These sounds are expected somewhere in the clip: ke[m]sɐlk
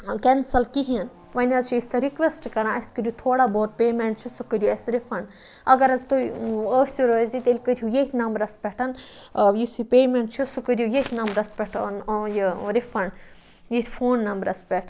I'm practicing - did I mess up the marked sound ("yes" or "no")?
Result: yes